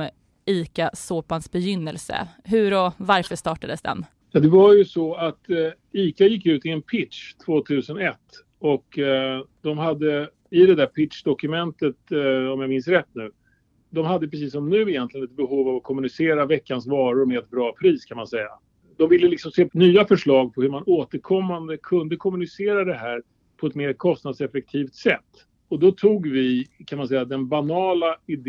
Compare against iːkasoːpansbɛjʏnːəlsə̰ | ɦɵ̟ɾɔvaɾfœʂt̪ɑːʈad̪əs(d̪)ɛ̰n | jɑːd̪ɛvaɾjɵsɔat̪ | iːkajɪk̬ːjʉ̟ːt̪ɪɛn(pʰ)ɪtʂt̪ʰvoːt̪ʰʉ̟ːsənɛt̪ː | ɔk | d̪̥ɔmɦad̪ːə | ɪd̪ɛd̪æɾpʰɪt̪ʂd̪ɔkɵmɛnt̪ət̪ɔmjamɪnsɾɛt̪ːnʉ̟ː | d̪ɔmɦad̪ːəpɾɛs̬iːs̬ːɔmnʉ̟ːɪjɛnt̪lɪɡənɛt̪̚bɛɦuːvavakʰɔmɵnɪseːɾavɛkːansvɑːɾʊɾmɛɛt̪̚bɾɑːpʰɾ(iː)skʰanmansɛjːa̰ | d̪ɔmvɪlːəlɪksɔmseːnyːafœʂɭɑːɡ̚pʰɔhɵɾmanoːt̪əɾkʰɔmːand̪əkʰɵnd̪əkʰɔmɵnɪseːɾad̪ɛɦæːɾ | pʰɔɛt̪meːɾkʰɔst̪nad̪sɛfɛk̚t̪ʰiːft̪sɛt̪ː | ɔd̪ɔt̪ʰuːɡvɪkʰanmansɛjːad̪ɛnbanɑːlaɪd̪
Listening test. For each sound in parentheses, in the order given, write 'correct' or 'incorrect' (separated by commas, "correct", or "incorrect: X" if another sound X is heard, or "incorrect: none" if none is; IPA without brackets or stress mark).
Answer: correct, correct, correct